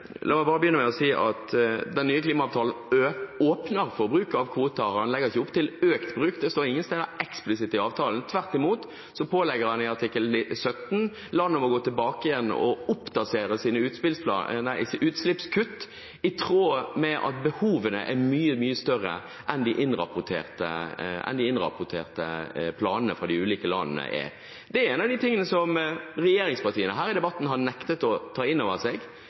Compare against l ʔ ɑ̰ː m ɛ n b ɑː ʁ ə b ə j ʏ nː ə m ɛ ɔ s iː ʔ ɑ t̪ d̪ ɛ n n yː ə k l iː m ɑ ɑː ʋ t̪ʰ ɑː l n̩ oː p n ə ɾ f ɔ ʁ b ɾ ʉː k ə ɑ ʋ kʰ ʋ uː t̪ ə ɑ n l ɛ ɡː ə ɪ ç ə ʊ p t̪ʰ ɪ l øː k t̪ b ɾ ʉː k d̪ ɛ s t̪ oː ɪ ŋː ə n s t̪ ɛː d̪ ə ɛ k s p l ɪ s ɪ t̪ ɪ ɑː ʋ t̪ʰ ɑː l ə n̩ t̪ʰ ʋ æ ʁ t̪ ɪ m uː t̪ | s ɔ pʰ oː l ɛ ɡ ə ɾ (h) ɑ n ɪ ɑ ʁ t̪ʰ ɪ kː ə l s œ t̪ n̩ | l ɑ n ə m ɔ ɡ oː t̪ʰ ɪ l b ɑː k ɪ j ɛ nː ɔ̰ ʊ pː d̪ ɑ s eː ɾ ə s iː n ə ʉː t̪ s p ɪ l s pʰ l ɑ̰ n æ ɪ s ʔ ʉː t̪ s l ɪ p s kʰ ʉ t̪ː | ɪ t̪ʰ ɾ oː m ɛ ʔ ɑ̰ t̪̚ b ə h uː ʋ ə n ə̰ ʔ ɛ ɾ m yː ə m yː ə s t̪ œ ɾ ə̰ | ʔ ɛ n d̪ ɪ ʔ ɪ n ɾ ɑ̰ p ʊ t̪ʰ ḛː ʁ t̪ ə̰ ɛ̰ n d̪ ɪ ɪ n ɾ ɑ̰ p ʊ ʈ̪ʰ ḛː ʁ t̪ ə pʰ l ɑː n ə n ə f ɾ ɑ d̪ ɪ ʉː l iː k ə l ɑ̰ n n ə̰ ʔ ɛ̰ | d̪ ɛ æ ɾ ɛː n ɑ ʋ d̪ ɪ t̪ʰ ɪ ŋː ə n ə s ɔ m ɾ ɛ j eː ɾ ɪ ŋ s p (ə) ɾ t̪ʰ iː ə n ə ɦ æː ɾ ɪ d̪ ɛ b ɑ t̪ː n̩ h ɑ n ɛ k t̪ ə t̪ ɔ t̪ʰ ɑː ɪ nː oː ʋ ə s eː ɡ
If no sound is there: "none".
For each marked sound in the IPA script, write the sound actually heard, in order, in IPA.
h, ɑ

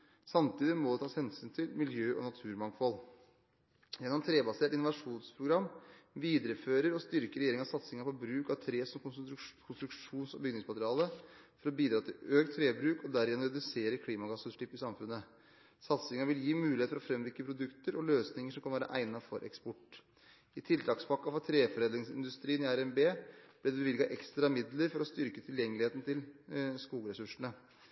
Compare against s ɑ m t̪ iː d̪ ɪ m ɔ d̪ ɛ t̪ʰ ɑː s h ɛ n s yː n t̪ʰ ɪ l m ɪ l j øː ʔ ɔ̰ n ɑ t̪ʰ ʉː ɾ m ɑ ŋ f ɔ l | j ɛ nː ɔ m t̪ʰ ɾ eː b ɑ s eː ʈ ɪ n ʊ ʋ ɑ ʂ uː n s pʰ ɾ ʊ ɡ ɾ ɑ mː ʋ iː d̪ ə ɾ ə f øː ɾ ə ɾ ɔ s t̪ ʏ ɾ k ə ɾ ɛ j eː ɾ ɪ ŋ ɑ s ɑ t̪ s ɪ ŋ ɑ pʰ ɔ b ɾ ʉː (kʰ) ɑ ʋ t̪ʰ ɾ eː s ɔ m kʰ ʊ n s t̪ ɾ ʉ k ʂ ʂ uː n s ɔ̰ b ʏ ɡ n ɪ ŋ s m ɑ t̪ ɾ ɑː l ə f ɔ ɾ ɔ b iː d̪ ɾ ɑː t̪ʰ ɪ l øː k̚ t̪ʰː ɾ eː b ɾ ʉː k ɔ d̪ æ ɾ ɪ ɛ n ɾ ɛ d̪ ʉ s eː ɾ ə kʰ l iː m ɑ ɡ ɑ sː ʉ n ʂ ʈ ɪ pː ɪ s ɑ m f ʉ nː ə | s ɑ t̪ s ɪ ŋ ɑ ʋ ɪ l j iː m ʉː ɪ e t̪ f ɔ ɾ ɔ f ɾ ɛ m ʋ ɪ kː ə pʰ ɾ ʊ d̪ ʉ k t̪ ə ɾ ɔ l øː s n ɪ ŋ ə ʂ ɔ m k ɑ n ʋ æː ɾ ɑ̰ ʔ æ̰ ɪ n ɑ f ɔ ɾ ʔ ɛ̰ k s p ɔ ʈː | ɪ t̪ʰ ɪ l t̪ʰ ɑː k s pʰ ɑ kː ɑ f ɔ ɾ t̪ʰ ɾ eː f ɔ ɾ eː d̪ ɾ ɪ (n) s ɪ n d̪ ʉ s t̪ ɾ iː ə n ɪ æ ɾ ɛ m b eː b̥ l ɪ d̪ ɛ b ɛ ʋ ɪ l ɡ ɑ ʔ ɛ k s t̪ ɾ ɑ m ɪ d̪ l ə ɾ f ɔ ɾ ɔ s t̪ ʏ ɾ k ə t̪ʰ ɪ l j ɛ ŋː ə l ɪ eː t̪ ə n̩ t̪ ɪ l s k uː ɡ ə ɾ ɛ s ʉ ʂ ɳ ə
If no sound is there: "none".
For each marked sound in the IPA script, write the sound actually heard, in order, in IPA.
k, ŋ

